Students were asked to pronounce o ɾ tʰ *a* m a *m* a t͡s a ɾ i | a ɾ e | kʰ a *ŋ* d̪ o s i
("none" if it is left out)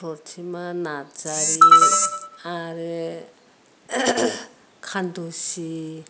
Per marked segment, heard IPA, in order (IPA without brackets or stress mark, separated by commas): i, n, n